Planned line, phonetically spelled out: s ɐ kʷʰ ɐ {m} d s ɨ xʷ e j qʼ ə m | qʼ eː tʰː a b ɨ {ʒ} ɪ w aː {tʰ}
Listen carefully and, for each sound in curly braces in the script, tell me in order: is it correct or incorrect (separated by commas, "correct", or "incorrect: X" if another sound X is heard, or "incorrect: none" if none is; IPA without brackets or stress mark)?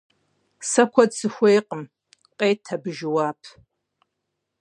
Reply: incorrect: none, correct, incorrect: pʰ